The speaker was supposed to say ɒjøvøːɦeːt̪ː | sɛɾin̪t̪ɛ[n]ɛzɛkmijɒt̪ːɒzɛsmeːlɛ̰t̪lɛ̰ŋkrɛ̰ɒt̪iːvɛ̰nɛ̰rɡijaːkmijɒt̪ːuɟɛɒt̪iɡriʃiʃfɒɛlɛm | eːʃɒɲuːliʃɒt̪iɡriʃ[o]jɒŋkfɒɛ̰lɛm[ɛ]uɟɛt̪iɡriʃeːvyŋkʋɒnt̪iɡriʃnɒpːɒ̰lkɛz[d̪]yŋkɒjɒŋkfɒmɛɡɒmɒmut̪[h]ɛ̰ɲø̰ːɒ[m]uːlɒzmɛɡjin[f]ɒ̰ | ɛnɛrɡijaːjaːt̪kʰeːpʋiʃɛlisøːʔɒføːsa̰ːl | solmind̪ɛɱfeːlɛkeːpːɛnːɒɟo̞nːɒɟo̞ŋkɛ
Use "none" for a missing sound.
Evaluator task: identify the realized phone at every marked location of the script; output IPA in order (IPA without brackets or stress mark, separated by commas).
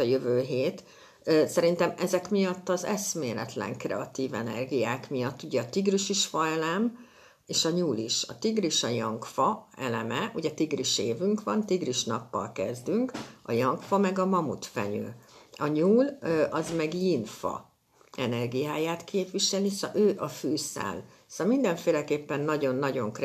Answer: m, ɒ, ɛ, d̪, f, ɲ, f